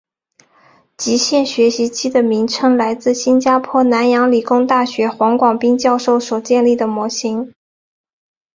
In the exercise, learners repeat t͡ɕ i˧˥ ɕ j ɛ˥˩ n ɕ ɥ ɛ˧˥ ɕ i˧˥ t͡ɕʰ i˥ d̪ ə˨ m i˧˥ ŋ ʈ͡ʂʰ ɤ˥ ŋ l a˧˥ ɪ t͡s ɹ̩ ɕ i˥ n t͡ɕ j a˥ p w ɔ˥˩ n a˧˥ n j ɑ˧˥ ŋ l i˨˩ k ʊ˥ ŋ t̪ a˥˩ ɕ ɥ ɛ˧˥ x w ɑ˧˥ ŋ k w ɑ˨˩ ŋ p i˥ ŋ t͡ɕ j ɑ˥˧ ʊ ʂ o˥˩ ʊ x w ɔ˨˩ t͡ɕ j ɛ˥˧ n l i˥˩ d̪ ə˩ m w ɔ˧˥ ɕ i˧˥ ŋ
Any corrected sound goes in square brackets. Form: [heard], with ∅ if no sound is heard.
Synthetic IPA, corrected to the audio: t͡ɕ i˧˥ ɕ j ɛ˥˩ n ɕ ɥ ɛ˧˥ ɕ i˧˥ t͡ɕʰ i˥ d̪ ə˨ m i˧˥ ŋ ʈ͡ʂʰ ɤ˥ ŋ l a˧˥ ɪ t͡s ɹ̩ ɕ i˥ n t͡ɕ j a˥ [pʰ] w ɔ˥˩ n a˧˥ n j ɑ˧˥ ŋ l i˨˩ k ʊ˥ ŋ t̪ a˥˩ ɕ ɥ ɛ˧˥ x w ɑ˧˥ ŋ k w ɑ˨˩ ŋ p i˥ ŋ t͡ɕ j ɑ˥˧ ʊ ʂ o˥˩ ʊ [s] w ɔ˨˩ t͡ɕ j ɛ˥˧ n l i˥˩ d̪ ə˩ m w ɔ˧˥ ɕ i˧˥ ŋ